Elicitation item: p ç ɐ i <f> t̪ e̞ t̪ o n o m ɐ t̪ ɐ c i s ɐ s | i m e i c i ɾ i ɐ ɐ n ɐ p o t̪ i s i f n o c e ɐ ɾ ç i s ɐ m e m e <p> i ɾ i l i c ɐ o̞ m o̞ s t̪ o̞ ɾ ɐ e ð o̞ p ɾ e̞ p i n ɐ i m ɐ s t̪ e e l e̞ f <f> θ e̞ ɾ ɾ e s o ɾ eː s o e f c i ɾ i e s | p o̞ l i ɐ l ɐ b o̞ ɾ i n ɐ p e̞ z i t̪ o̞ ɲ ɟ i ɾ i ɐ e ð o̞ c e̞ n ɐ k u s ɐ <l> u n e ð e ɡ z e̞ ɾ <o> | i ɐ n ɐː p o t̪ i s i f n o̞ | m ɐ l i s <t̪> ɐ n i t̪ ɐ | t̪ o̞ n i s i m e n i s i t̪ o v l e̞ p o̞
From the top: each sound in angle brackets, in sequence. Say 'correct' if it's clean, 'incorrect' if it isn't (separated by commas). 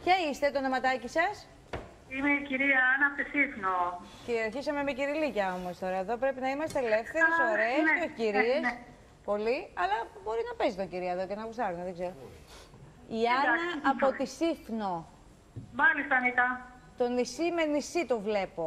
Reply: incorrect, incorrect, incorrect, incorrect, correct, correct